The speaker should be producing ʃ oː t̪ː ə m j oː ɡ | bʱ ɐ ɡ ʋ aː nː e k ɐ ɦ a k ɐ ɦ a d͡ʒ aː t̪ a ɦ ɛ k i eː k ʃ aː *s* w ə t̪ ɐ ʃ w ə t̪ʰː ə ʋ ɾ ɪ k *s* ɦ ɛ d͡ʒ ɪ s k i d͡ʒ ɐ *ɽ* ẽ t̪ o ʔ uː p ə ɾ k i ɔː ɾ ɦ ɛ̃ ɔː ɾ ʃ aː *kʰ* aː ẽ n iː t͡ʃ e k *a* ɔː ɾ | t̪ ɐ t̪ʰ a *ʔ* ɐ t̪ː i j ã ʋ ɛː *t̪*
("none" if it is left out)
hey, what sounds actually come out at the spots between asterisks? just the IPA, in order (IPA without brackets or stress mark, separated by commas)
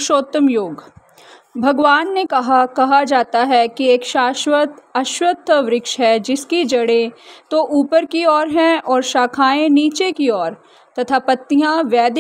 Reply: ʃ, ʃ, ɽ, kʰ, i, p, d̪